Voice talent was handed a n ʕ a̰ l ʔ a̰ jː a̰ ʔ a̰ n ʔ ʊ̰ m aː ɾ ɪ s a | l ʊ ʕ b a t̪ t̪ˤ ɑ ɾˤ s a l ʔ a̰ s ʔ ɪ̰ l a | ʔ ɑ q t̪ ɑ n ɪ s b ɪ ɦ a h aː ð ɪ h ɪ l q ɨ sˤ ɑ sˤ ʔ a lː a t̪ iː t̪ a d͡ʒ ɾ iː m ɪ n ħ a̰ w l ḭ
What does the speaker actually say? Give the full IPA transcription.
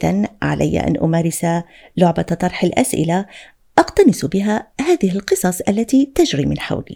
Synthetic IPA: a n ʕ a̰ l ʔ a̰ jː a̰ ʔ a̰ n ʔ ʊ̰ m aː ɾ ɪ s a | l ʊ ʕ b a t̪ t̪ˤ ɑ ɾˤ ħ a l ʔ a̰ s ʔ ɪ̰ l a | ʔ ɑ q t̪ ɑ n ɪ s b ɪ ɦ a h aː ð ɪ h ɪ l q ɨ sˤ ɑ sˤ ʔ a lː a t̪ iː t̪ a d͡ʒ ɾ iː m ɪ n ħ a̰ w l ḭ